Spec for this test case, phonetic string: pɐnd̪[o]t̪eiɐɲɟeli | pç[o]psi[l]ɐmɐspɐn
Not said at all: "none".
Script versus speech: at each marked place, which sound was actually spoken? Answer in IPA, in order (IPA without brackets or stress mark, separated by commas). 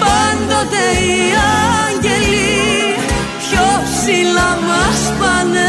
o, o, l